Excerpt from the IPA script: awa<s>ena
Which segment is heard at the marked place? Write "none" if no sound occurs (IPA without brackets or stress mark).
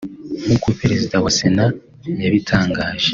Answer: s